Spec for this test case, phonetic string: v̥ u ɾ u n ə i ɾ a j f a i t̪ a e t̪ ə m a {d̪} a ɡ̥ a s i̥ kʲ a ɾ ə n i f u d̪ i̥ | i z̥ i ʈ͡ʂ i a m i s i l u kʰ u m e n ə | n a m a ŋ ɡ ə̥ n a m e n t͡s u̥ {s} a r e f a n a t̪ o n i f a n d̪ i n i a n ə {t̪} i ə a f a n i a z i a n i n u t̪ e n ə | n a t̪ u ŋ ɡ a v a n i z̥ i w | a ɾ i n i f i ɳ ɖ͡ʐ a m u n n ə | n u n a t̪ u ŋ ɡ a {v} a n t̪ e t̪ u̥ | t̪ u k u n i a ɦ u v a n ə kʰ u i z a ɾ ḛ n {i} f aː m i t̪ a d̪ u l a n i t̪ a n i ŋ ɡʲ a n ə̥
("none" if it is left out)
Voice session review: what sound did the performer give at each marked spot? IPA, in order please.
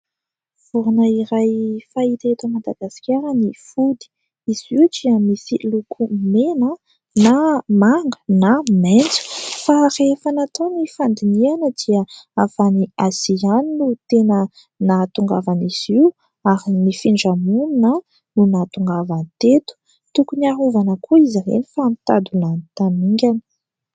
d̪, f, d̪, v, i

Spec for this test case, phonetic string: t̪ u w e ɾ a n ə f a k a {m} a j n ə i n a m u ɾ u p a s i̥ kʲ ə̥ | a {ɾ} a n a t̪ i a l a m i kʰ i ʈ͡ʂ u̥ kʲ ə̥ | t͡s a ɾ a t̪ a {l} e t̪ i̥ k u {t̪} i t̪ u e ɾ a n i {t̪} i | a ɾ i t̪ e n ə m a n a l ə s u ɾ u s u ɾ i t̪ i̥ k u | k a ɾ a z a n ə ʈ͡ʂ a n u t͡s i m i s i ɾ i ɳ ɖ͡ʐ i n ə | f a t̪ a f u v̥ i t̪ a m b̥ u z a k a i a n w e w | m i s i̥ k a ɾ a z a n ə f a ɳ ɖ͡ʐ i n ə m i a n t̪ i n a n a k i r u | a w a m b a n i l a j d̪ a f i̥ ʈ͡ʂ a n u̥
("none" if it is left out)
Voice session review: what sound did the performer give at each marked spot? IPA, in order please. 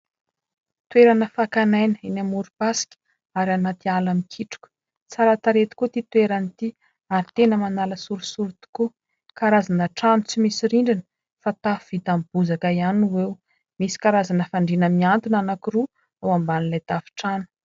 n, ɾ, ɾ, t̪, t̪

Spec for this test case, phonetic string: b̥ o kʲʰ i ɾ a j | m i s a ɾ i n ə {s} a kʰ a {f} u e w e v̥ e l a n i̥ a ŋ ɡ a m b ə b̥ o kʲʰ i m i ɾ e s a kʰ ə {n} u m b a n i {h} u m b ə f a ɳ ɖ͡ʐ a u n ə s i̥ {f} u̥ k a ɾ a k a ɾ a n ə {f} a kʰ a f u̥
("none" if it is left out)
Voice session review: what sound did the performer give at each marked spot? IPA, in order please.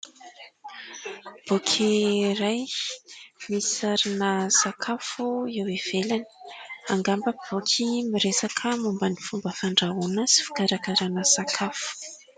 s, f, m, f, f, s

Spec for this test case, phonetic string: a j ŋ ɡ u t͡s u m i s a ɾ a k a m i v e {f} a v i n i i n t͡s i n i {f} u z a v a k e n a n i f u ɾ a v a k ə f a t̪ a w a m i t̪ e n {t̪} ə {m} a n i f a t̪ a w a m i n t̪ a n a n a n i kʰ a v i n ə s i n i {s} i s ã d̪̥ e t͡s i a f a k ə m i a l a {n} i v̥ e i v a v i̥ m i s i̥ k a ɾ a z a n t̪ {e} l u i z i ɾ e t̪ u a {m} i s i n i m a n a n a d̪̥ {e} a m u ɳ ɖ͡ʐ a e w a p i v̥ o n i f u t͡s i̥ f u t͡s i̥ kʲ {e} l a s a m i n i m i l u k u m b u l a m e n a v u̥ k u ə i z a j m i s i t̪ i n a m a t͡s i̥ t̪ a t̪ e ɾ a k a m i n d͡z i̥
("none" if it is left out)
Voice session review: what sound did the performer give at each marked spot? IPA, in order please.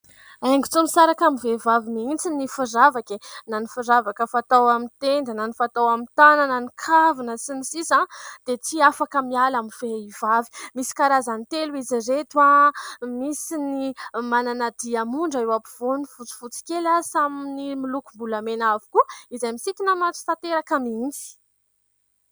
v, f, d̪, n, s, m, e, m, i, e

